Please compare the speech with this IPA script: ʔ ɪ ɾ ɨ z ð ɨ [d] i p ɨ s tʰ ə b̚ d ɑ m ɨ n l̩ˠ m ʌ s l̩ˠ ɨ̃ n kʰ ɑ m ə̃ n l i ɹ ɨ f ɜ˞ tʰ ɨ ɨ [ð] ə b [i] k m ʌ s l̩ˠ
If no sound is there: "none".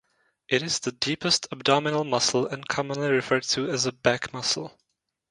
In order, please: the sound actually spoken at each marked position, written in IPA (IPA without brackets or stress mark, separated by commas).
d, z, æ